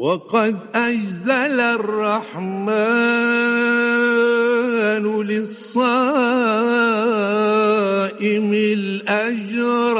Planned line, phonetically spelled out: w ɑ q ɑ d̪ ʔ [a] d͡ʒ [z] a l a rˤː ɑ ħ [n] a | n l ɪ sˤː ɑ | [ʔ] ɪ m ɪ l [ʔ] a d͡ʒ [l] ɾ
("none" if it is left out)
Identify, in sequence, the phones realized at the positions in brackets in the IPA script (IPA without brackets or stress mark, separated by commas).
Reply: a, z, m, ʔ, ʔ, ɾ